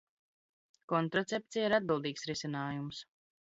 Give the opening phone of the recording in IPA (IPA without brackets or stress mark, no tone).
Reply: k